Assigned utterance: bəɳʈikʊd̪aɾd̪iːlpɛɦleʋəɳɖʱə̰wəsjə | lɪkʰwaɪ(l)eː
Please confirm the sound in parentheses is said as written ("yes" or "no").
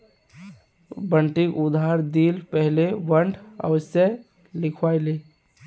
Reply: yes